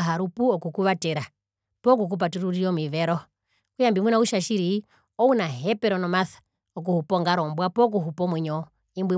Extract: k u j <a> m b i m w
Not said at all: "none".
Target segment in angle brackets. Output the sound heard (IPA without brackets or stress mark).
a